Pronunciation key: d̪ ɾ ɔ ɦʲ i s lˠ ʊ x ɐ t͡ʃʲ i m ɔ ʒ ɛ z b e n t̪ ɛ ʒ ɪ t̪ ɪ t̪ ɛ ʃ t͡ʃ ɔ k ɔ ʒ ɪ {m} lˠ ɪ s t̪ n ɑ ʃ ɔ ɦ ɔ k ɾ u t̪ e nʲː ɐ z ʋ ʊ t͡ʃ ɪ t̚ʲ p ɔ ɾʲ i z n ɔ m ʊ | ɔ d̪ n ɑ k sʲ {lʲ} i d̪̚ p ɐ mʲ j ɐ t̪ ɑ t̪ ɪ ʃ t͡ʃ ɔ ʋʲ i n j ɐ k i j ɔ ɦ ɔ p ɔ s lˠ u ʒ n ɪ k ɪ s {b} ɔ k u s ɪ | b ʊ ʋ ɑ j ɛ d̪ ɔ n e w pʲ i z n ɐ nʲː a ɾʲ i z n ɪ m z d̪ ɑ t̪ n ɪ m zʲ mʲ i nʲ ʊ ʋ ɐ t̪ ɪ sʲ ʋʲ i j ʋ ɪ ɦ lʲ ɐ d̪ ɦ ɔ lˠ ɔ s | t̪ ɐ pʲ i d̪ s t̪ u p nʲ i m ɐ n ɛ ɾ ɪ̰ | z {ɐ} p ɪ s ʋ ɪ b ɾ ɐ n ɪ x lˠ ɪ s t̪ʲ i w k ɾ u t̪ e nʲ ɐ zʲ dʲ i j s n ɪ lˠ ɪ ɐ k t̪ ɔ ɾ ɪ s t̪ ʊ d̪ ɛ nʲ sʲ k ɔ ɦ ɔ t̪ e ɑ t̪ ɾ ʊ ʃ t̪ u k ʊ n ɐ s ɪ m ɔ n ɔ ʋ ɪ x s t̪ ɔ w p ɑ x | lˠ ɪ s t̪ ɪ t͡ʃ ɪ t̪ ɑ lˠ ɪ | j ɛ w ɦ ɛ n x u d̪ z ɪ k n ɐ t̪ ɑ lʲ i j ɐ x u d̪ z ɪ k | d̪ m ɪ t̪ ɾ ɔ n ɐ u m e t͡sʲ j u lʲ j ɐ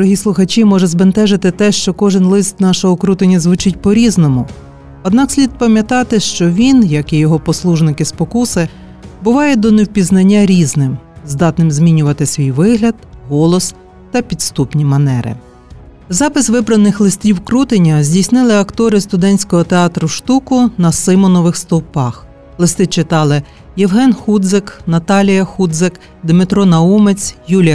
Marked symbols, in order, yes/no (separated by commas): no, yes, no, no